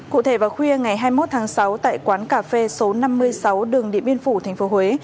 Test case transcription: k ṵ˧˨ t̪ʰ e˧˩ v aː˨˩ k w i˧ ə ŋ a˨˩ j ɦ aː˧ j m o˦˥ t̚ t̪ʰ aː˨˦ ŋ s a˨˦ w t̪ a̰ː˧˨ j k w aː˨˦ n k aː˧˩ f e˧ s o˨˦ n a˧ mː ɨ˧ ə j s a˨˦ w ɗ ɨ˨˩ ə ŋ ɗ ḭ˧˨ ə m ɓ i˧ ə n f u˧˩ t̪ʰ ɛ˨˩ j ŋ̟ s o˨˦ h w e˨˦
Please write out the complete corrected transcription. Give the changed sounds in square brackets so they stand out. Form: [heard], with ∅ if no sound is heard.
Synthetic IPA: k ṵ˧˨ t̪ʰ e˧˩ v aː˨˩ [x] w i˧ ə ŋ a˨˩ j ɦ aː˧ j m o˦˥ t̚ t̪ʰ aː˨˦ ŋ s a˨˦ w t̪ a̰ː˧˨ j k w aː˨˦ n k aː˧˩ f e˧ s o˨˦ n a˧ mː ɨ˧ ə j s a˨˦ w ɗ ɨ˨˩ ə ŋ ɗ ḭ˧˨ ə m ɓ i˧ ə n f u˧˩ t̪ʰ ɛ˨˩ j ŋ̟ [f] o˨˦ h w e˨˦